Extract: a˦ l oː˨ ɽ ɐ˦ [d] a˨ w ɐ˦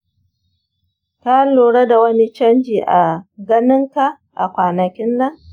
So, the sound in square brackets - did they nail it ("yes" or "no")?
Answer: yes